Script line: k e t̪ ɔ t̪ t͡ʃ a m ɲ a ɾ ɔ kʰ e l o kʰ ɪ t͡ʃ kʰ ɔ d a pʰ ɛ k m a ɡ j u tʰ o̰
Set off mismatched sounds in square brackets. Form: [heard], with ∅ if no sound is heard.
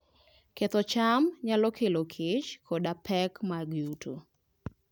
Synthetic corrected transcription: k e t̪ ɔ [∅] t͡ʃ a m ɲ a [l] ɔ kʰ e l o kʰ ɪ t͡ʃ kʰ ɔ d a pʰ ɛ k m a ɡ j u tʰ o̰